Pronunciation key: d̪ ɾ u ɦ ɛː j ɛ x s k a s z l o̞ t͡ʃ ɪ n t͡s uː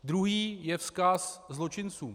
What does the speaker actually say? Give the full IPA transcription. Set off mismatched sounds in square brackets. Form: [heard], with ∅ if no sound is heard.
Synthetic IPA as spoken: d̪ ɾ u ɦ [iː] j ɛ [f] s k a s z l o̞ t͡ʃ ɪ n t͡s uː